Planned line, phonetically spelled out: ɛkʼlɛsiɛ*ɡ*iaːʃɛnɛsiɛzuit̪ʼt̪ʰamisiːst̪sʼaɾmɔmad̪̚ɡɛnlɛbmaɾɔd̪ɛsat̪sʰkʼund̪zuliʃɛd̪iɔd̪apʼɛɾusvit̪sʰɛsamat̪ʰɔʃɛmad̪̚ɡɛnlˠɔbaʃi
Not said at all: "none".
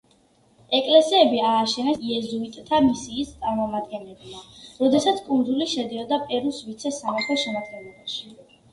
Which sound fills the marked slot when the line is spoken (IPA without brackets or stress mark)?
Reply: b